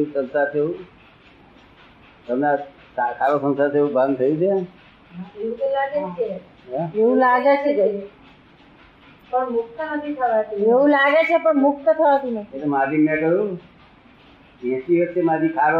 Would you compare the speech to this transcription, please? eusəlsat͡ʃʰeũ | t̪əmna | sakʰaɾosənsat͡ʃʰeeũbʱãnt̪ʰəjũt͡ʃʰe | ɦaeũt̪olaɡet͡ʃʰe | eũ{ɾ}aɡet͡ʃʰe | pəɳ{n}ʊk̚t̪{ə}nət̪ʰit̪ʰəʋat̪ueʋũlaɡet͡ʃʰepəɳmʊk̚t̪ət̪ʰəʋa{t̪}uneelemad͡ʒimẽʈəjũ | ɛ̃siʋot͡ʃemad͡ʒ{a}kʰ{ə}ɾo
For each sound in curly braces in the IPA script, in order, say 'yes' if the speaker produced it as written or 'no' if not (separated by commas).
no, no, yes, yes, no, no